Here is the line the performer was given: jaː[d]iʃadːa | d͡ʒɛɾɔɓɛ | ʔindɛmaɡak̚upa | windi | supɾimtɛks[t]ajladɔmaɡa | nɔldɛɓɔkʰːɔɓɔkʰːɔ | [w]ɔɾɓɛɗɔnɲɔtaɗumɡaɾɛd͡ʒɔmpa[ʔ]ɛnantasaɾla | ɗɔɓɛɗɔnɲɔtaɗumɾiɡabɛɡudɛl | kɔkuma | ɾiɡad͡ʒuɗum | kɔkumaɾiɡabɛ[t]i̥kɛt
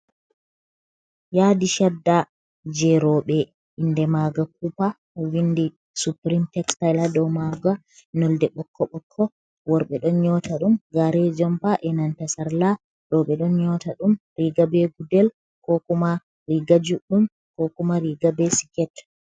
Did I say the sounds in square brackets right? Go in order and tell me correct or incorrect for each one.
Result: correct, correct, correct, correct, incorrect

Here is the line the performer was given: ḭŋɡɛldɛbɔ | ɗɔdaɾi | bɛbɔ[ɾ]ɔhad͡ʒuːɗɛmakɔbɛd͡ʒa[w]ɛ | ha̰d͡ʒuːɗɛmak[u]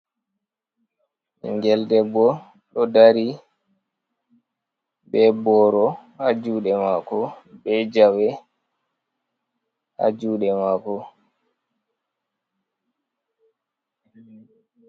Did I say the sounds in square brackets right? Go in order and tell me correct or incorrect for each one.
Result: correct, correct, incorrect

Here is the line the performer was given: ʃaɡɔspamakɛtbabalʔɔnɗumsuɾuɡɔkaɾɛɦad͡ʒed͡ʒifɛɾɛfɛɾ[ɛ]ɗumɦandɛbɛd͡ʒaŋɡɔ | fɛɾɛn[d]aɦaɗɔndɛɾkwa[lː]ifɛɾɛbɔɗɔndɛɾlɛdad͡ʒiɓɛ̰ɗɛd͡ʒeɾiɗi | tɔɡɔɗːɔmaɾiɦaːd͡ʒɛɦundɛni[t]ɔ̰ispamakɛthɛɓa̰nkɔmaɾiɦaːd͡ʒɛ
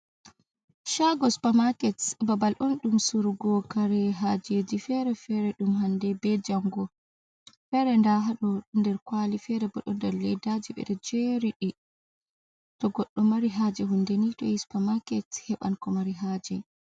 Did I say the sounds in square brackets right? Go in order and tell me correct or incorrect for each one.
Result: correct, correct, incorrect, correct

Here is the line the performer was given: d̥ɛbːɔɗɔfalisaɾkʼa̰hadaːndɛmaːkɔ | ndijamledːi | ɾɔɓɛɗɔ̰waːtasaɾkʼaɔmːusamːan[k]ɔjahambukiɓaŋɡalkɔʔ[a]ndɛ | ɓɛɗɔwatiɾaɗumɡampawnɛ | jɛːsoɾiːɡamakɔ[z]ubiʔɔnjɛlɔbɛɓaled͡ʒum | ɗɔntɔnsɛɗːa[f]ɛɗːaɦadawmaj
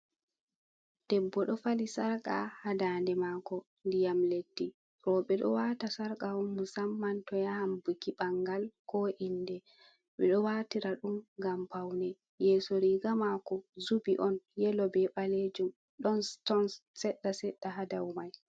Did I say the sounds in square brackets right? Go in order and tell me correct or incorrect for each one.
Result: incorrect, incorrect, correct, incorrect

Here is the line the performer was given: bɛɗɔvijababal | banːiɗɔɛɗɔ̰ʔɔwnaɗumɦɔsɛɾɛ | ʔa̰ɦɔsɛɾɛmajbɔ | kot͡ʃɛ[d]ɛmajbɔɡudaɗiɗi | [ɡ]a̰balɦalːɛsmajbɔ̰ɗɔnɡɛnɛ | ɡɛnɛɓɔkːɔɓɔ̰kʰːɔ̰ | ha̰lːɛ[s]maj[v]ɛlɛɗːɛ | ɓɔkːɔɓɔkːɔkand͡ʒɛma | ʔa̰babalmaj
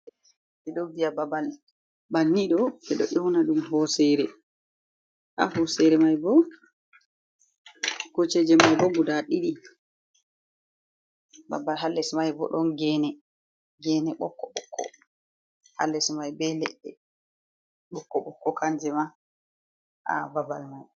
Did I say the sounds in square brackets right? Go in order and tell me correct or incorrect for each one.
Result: incorrect, incorrect, correct, incorrect

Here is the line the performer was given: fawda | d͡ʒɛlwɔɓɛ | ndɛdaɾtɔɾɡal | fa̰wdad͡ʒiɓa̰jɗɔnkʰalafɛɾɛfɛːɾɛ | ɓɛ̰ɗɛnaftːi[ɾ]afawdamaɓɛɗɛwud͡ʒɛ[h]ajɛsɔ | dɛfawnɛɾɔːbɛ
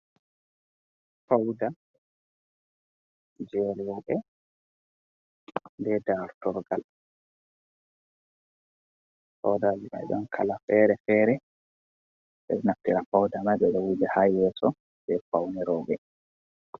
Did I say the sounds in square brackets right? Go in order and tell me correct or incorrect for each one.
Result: correct, correct

